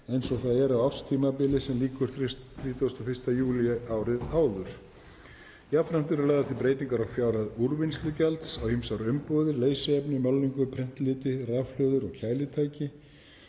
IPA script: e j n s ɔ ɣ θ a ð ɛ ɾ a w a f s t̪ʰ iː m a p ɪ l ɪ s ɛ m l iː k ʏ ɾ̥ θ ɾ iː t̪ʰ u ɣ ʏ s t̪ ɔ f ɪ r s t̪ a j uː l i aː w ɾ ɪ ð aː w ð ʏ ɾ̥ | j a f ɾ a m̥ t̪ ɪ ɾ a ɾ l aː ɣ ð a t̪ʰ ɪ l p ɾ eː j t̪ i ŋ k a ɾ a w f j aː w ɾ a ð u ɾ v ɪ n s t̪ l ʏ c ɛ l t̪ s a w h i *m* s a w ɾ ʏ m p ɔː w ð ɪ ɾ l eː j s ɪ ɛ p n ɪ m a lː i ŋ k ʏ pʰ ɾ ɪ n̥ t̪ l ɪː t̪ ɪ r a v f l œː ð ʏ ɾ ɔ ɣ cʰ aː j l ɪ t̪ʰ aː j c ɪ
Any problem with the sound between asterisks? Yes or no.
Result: no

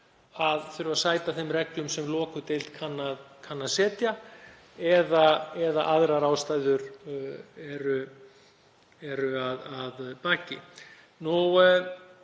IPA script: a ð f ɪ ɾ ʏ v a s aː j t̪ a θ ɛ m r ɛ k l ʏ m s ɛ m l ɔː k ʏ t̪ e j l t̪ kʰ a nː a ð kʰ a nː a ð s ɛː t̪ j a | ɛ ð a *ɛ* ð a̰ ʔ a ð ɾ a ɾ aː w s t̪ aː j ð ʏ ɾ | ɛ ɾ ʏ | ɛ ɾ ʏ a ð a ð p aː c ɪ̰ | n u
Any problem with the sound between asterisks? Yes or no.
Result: no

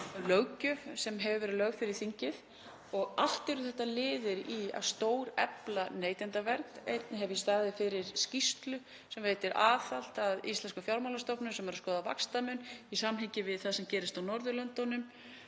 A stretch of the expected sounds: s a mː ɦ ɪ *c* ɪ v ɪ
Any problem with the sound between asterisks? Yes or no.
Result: no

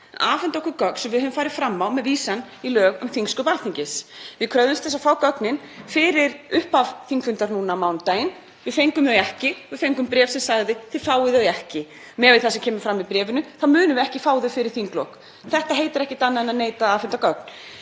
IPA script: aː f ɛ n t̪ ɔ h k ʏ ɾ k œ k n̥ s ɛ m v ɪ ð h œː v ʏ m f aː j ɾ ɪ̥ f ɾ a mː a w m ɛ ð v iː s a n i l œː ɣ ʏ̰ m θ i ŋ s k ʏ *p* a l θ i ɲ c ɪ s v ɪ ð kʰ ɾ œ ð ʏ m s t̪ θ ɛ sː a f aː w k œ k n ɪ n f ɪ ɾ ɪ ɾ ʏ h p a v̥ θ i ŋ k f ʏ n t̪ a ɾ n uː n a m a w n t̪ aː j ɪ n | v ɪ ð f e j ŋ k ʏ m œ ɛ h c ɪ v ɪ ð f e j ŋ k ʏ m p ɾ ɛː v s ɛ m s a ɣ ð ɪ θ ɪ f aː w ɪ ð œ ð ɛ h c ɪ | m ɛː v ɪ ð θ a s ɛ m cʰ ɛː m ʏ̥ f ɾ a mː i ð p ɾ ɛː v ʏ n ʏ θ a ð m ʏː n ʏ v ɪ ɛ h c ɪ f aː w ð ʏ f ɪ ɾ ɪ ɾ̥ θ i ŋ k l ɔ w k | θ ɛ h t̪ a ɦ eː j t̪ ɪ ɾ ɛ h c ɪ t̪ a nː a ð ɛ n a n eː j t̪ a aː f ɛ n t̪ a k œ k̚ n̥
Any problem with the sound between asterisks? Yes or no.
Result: no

